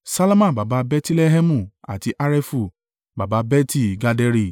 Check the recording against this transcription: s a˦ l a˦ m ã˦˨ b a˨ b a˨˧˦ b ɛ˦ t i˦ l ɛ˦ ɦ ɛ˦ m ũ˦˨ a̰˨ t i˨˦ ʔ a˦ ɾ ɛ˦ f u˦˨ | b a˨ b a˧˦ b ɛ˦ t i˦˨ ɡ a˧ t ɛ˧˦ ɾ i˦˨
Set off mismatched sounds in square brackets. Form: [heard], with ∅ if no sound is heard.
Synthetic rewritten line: s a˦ l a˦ m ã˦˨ b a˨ b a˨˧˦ b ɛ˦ t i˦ l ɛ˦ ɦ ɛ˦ m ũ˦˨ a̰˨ t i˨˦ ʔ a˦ ɾ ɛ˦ f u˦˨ | b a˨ b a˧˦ b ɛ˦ t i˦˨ ɡ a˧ [d] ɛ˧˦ ɾ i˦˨

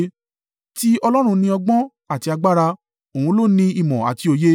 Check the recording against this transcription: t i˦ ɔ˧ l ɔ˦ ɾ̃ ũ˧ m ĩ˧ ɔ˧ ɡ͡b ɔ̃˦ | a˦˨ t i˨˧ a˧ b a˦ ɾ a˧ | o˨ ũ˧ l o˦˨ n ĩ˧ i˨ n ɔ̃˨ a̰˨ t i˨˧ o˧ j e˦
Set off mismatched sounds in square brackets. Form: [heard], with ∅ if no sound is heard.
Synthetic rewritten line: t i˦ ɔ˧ l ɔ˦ ɾ̃ ũ˧ [n] ĩ˧ ɔ˧ ɡ͡b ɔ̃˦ | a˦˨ t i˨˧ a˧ [ɡ͡b] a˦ ɾ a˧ | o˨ ũ˧ l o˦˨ n ĩ˧ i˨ [m] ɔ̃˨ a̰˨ t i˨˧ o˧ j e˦

